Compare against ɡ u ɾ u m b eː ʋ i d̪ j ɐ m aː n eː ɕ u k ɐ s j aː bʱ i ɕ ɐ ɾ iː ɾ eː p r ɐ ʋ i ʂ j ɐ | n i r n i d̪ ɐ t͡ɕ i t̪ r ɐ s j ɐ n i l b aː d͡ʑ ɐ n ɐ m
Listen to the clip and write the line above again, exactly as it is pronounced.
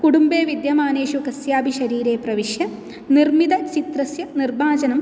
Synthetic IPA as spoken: k u ɽ u m b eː ʋ i d̪ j ɐ m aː n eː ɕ u k ɐ s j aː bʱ i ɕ ɐ ɾ iː ɾ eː p r ɐ ʋ i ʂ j ɐ | n i r m i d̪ ɐ t͡ɕ i t̪ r ɐ s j ɐ n i r b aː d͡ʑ ɐ n ɐ m